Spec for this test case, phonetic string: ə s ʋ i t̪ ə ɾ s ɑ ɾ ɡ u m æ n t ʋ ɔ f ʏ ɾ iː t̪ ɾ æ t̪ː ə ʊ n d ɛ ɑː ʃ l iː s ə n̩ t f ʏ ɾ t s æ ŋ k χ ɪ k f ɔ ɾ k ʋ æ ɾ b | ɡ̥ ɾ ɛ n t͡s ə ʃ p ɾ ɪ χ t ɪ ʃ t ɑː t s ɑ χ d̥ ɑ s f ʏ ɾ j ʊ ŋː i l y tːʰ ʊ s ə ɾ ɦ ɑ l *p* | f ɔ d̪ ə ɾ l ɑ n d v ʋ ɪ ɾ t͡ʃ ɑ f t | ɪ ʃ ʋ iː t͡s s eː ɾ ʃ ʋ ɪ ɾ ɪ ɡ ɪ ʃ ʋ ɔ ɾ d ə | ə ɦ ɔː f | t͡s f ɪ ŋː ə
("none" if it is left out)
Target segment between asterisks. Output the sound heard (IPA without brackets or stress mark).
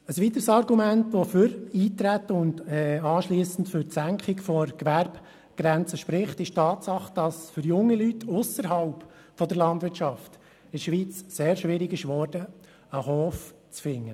p